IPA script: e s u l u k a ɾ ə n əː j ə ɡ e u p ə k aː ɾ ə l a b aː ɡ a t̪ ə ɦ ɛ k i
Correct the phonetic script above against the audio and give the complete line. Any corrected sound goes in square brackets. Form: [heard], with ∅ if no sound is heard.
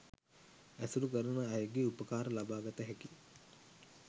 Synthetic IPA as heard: [æ] s u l u k [ə] ɾ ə n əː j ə ɡ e u p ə k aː ɾ ə l a b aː ɡ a t̪ ə ɦ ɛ k i

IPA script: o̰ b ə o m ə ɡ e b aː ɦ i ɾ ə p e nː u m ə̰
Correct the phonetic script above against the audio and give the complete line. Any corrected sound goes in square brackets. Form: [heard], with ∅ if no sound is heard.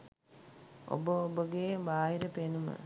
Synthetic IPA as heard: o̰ b ə o [b] ə ɡ e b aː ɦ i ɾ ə p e [n] u m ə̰

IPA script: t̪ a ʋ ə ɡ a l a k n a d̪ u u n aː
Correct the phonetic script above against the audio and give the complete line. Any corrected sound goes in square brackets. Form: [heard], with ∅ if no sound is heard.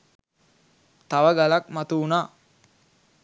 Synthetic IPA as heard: t̪ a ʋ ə ɡ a l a k [m] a [t̪] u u n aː

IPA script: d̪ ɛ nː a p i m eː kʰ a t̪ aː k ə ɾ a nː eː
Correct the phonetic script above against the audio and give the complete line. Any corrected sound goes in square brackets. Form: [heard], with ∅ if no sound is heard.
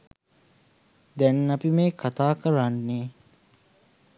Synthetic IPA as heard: d̪ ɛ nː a p i m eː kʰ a t̪ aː k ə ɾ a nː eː

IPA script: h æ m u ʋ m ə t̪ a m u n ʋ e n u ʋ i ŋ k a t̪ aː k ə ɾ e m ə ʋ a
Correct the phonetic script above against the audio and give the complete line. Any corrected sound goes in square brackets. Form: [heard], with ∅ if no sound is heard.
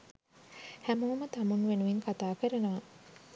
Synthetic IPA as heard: h æ m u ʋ m ə t̪ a m u n ʋ e n u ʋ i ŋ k a t̪ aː k ə ɾ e [n] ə ʋ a

